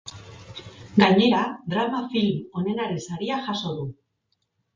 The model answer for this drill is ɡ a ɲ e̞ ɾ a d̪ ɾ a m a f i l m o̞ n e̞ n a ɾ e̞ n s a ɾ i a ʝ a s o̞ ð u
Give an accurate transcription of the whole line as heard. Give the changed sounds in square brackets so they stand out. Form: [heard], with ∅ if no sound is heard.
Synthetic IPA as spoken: ɡ a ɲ e̞ ɾ a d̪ ɾ a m a f i l m o̞ n e̞ n a ɾ e̞ n s a ɾ i a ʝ a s o̞ ð u